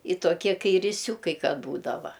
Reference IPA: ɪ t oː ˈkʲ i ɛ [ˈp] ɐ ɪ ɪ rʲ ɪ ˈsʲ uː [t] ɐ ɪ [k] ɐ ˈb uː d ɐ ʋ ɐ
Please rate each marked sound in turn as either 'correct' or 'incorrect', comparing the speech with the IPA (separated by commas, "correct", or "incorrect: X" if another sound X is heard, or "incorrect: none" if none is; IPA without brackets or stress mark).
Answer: incorrect: k, incorrect: k, correct